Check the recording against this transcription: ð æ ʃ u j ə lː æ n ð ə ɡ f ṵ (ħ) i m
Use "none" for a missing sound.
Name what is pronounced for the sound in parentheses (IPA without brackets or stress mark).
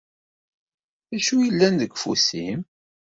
s